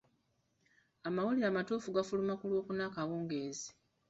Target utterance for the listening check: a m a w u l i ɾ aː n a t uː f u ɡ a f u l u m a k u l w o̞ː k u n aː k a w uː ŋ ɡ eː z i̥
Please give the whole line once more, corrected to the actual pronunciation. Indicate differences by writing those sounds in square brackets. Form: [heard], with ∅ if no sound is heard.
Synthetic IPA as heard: a m a w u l i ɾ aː [m] a t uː f u ɡ a f u l u m a k u l w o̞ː k u n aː k a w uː ŋ ɡ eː z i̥